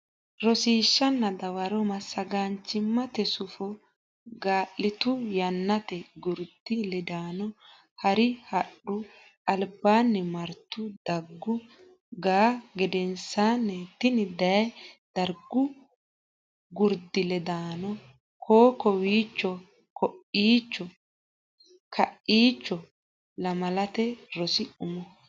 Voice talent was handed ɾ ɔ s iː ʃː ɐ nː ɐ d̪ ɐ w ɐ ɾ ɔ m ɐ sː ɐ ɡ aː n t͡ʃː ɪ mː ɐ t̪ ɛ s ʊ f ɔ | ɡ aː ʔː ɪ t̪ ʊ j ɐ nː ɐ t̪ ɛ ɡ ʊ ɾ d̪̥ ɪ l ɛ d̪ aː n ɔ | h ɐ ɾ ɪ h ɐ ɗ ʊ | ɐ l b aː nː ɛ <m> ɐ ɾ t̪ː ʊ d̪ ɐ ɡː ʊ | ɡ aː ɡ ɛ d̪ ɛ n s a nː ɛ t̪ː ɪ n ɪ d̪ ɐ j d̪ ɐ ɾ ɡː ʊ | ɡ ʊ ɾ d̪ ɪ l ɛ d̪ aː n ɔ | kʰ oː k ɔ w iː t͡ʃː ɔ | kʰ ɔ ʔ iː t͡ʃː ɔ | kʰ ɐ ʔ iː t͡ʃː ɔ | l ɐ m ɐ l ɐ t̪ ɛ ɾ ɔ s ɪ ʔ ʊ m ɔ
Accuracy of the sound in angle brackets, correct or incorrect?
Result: correct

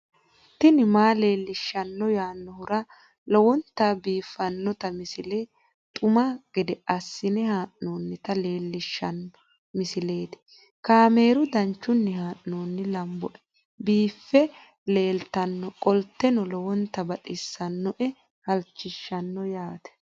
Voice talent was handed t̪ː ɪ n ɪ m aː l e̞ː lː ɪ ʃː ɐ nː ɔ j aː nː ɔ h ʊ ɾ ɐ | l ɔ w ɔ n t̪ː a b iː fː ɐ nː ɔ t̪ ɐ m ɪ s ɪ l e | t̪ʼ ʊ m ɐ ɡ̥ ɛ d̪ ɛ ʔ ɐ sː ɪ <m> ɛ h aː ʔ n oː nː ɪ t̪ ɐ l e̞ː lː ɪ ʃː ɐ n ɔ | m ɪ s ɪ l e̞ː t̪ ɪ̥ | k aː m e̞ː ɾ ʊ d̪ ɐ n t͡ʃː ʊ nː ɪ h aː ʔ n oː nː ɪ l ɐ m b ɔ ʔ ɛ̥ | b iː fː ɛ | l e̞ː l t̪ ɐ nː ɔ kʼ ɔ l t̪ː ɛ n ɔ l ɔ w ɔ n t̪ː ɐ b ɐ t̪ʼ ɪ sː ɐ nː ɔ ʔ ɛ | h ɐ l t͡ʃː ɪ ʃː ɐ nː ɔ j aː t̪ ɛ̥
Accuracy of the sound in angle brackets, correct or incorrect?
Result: incorrect: n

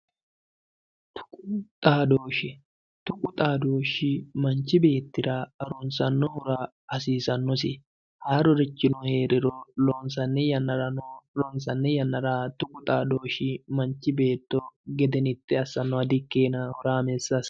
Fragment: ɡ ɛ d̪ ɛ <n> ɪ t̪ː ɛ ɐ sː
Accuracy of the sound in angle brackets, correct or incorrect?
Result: correct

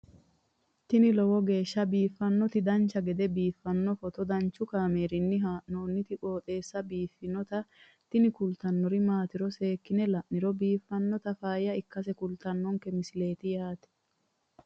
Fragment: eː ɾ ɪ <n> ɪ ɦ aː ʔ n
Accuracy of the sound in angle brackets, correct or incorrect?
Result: incorrect: nː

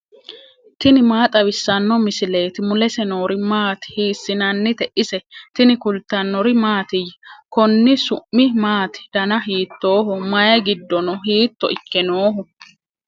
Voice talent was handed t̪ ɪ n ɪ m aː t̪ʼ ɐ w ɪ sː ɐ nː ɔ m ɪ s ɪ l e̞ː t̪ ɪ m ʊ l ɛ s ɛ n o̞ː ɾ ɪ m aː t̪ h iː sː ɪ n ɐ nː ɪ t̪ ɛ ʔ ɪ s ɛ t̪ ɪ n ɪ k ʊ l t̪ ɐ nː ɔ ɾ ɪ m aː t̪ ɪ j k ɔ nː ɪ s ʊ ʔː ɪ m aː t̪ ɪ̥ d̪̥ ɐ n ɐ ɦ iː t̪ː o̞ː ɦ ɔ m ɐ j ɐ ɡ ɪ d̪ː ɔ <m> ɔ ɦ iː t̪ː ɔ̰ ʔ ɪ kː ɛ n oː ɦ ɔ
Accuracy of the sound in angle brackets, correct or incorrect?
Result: incorrect: n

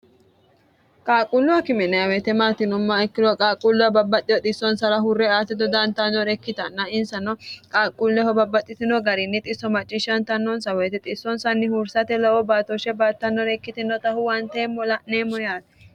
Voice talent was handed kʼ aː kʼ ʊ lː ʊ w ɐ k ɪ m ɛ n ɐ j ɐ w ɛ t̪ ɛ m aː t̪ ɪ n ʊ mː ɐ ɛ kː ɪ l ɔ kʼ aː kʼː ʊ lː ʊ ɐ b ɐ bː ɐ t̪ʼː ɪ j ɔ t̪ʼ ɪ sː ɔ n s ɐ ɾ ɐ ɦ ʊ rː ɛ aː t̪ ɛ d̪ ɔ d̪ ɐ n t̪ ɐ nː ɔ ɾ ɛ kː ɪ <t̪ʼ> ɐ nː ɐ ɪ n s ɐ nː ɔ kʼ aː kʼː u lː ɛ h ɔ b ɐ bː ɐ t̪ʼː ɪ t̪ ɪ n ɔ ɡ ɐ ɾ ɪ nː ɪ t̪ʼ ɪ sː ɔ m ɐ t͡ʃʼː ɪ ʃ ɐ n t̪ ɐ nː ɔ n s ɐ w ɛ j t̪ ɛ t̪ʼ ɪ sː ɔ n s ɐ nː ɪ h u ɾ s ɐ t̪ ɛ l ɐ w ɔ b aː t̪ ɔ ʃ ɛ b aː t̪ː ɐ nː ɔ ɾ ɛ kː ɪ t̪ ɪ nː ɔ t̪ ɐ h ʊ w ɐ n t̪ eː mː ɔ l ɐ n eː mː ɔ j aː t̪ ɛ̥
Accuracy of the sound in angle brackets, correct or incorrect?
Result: incorrect: t̪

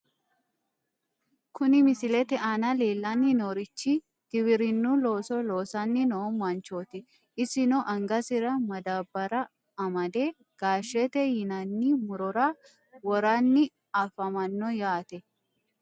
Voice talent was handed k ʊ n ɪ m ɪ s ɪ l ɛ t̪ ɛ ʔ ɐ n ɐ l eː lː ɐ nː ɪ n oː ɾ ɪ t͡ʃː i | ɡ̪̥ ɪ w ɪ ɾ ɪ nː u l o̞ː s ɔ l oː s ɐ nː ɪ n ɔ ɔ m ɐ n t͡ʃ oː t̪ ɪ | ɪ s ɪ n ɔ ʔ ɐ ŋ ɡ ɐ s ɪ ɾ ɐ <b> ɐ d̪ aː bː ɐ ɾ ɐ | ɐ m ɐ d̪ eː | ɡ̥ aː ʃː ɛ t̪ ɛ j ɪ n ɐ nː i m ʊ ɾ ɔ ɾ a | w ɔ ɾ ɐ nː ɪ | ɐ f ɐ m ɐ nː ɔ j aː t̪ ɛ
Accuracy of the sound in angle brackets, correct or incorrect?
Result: incorrect: m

